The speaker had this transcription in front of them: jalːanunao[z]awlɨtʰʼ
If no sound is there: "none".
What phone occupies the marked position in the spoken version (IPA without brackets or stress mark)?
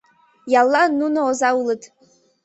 z